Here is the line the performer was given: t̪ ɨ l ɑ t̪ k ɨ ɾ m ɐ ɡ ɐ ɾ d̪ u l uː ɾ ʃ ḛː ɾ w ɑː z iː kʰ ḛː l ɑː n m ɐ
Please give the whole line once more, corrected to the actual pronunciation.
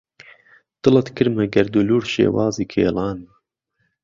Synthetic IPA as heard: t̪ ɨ l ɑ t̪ k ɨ ɾ m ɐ ɡ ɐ ɾ d̪ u l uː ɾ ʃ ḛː w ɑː z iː kʰ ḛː l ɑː n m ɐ